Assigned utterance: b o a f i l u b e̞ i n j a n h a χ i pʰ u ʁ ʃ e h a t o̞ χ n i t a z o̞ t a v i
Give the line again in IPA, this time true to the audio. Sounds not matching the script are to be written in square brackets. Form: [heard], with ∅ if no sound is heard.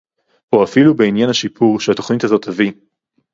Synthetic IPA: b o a f i l u b e̞ i n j a n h a [ʃ] i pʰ u ʁ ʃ e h a t o̞ χ n i t a z o̞ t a v i